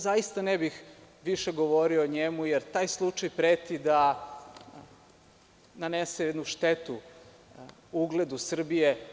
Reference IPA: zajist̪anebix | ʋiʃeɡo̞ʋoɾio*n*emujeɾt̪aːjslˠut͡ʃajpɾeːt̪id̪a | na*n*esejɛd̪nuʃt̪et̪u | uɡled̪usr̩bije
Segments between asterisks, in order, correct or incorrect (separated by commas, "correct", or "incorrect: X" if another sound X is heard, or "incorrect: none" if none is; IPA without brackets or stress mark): incorrect: ɲ, correct